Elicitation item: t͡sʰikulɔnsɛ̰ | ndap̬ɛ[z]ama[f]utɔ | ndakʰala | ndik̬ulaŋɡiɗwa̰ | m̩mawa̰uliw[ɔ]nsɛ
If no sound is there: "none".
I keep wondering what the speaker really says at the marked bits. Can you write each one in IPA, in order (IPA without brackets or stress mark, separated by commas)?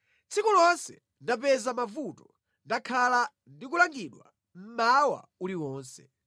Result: z, v, ɔː